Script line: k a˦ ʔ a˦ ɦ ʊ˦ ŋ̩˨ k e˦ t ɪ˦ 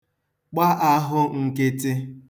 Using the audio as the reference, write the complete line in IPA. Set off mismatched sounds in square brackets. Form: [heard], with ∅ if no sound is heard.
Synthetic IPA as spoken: [k͡p] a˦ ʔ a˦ ɦ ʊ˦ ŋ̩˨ k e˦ t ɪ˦